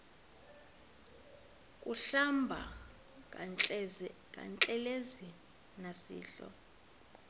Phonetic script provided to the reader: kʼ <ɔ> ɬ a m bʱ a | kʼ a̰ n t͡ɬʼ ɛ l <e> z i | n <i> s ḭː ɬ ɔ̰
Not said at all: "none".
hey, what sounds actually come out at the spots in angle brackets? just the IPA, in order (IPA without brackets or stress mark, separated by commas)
u, e, a